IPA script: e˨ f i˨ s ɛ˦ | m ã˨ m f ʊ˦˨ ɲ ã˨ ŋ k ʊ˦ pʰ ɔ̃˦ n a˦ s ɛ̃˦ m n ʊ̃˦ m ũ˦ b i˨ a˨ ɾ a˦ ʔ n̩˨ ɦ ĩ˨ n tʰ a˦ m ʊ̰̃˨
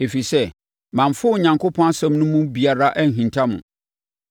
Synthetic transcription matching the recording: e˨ f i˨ s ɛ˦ | m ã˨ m f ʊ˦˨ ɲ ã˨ ŋ k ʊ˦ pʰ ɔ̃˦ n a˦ s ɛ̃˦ m n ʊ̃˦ m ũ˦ b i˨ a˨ ɾ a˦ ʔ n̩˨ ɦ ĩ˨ n tʰ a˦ m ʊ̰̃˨